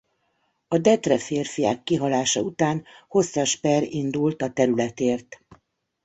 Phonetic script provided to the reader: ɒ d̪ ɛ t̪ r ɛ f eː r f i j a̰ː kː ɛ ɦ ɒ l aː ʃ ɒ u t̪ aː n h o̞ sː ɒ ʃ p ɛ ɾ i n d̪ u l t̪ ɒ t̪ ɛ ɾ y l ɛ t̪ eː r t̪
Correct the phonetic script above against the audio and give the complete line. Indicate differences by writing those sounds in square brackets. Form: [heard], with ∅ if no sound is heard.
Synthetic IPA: ɒ d̪ ɛ t̪ r ɛ f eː r f i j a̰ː kː [i] ɦ ɒ l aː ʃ ɒ u t̪ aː n h o̞ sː ɒ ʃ p ɛ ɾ i n d̪ u l t̪ ɒ t̪ ɛ ɾ y l ɛ t̪ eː r t̪